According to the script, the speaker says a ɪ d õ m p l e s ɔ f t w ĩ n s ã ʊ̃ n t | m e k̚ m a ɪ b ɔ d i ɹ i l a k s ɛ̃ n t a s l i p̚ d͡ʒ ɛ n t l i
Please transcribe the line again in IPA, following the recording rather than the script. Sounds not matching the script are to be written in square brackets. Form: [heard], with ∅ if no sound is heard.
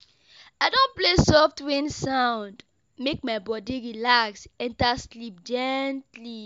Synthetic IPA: a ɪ d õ [n] p l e s ɔ f t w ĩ n s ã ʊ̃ n [d] | m e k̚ m a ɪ b ɔ d i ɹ i l a k s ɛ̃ n t a s l i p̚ d͡ʒ ɛ n t l i